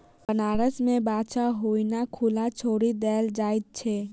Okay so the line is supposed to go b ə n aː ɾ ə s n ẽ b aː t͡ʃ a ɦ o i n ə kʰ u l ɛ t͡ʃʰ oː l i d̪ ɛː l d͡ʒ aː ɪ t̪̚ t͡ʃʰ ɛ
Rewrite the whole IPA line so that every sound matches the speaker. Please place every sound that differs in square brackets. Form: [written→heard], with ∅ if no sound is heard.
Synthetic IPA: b ə n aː ɾ ə s [n→m] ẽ b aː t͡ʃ a ɦ o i n [ə→a] kʰ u l [ɛ→a] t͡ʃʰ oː [l→ɾ] i d̪ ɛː l d͡ʒ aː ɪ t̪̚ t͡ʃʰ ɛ